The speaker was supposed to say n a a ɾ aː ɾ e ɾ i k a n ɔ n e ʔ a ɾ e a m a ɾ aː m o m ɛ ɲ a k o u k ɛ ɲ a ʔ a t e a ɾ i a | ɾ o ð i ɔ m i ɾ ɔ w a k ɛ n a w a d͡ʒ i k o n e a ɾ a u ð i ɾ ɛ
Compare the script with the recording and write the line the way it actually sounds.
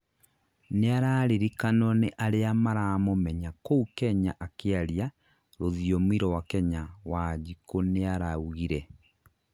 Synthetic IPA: n e a ɾ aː ɾ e ɾ i k a n ɔ n e ʔ a ɾ e a m a ɾ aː m o m ɛ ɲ a k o u k ɛ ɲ a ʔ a k e a ɾ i a | ɾ o ð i ɔ m i ɾ ɔ w a k ɛ ɲ a w a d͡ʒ i k o n e a ɾ a u ɣ i ɾ ɛ